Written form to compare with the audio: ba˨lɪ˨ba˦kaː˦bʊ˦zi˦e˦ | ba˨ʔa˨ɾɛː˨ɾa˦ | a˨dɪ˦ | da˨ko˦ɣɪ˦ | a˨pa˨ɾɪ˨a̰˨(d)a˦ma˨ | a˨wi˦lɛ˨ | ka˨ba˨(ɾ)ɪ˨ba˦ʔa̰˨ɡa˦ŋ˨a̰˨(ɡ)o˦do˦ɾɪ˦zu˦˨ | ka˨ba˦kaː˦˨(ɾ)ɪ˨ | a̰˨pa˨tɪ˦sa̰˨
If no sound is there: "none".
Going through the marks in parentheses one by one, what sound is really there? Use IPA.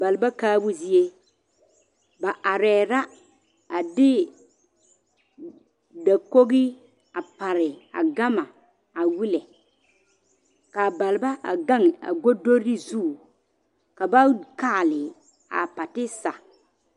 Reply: ɡ, l, ɡ, l

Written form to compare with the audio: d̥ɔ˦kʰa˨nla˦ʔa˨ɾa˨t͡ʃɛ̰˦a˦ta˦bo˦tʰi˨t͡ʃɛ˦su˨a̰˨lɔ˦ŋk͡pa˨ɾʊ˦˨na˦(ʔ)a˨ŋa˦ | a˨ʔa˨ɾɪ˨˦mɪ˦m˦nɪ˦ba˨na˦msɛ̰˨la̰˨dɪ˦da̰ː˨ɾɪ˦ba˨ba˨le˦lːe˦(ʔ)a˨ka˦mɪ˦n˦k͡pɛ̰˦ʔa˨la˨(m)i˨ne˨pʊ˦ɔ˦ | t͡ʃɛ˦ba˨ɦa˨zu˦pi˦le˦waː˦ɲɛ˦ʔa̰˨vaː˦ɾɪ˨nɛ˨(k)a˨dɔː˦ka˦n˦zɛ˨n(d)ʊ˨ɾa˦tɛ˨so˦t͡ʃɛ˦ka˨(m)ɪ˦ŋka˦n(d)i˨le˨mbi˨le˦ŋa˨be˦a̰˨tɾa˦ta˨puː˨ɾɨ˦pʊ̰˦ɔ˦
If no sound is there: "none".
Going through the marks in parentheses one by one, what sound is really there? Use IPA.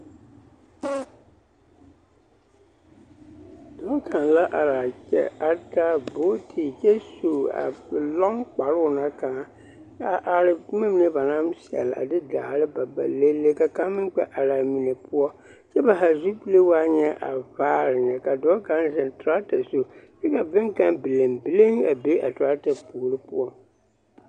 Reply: k, k, m, k, t, b, b

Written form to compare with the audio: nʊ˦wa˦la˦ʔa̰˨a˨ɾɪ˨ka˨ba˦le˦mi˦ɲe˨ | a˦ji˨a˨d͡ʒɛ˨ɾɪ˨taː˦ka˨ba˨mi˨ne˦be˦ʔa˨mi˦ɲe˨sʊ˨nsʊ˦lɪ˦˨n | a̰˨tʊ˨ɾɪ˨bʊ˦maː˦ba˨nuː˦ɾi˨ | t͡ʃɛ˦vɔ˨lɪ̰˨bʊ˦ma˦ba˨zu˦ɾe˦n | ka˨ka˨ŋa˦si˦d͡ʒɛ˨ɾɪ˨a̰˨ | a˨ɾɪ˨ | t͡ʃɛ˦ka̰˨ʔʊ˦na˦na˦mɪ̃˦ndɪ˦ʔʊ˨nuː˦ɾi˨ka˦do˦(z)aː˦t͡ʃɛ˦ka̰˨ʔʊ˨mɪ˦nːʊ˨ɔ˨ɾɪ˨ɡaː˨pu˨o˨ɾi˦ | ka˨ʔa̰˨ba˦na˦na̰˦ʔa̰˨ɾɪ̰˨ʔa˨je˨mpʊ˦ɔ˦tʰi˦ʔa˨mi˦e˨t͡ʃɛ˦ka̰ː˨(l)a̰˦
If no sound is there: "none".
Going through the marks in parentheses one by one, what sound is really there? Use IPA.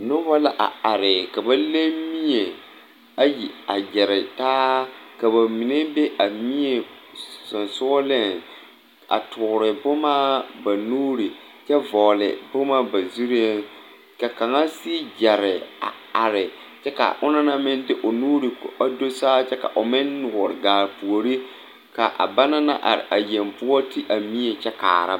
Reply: s, ɾ

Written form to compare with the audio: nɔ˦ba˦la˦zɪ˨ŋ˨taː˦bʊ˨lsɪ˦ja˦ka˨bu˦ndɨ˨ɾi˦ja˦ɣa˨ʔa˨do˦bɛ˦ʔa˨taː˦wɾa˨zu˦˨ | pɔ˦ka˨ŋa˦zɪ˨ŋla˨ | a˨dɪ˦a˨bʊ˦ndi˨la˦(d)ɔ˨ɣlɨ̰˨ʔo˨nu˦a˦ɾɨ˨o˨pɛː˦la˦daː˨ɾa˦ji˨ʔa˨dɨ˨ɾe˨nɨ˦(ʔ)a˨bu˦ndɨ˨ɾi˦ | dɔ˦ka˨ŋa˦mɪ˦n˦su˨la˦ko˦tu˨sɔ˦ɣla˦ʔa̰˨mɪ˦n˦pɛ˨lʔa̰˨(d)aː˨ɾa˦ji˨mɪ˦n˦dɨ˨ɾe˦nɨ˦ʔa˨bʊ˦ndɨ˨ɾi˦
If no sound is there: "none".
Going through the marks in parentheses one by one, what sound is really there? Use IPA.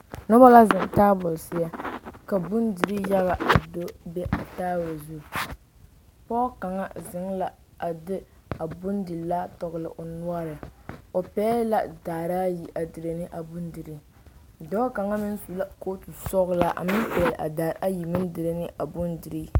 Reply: t, ʔ, d

